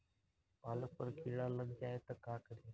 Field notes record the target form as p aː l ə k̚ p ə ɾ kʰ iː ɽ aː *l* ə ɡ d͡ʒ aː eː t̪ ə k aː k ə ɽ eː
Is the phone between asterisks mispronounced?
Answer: no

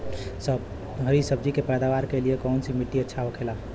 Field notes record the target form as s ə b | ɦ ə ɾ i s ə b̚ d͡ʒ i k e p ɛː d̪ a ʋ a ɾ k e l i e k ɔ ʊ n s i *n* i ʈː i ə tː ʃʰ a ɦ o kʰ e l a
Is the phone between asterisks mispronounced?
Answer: yes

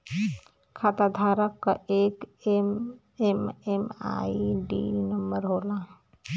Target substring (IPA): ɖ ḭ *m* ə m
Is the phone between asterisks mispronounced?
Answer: yes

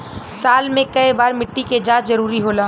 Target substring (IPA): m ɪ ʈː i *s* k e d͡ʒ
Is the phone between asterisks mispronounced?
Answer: yes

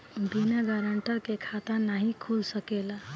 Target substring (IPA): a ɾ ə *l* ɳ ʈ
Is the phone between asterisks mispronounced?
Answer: yes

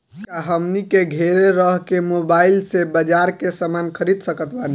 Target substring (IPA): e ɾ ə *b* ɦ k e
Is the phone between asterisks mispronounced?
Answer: yes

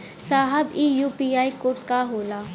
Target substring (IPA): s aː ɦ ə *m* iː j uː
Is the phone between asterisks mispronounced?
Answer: yes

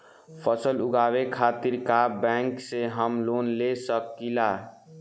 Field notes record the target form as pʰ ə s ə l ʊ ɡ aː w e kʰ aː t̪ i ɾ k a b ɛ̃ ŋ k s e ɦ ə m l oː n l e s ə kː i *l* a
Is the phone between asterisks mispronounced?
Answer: no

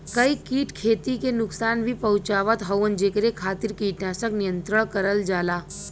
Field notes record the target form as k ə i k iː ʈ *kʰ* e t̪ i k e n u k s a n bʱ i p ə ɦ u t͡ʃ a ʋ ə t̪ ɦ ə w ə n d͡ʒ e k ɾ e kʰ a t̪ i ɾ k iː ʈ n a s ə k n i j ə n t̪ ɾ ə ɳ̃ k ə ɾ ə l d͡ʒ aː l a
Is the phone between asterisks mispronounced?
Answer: no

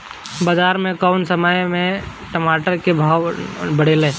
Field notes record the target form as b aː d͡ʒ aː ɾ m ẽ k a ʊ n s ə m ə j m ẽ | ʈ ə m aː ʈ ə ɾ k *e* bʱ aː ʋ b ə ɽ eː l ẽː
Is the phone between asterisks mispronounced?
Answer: no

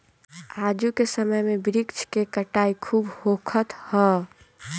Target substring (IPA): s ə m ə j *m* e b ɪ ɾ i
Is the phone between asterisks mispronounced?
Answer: no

